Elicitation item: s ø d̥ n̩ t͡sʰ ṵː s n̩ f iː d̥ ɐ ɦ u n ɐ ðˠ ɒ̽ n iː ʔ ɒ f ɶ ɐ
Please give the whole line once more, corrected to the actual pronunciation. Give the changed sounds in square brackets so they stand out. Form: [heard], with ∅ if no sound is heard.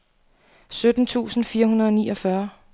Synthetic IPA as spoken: s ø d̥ n̩ t͡sʰ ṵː s n̩ f iː [∅] ɐ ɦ u n ɐ ðˠ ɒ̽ n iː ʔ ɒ f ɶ ɐ